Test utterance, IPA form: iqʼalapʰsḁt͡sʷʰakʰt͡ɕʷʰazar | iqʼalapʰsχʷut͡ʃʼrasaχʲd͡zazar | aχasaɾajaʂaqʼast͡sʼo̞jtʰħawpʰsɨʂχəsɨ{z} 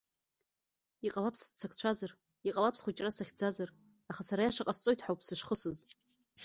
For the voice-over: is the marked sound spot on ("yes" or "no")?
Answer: yes